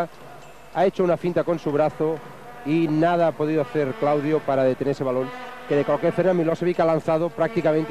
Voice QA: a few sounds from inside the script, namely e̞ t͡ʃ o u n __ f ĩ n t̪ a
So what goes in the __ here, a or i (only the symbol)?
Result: a